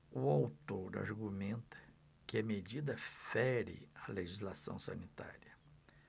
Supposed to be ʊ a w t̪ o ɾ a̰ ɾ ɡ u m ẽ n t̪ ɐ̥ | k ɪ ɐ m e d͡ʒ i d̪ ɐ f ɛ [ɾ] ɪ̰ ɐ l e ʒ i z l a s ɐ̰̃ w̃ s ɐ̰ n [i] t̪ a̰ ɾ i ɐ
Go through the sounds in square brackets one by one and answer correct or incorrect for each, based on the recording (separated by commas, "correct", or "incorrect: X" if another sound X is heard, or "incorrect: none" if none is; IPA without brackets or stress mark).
correct, correct